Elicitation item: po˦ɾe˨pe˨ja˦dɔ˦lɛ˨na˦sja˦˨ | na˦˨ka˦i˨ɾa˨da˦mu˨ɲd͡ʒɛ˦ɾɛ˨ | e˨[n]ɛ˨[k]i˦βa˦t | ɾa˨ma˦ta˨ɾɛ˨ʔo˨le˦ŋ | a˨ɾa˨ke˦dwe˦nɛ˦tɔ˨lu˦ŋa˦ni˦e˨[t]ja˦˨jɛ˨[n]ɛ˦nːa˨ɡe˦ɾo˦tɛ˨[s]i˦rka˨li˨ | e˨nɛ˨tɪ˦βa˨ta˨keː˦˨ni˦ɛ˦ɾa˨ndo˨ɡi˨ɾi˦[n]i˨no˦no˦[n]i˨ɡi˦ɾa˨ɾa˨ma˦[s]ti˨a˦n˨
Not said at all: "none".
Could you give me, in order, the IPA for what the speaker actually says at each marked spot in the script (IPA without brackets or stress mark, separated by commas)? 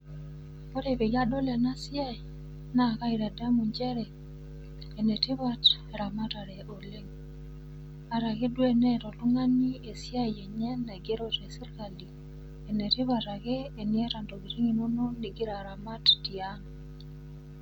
n, t, s, ɲ, s, ŋ, n, t